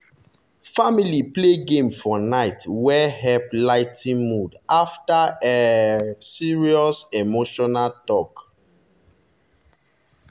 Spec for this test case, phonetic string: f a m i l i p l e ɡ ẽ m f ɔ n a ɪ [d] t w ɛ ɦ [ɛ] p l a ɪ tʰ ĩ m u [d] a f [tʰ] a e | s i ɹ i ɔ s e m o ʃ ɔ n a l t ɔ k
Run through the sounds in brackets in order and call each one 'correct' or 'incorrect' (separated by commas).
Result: incorrect, correct, correct, incorrect